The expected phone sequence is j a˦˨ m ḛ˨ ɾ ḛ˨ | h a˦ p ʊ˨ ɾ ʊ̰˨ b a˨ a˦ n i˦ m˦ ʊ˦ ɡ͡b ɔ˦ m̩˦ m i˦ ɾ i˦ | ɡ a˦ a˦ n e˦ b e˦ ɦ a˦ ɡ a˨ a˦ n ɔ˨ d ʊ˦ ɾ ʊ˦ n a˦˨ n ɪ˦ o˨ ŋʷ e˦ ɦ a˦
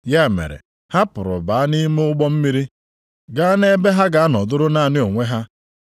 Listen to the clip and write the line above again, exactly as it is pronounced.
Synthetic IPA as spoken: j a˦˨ m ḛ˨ ɾ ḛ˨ | h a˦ p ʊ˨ ɾ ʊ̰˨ b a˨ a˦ n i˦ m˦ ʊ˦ ɡ͡b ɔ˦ m̩˦ m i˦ ɾ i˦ | ɡ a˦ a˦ n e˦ b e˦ ɦ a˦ ɡ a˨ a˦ n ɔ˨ d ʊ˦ ɾ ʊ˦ n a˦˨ n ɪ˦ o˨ ŋʷ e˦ ɦ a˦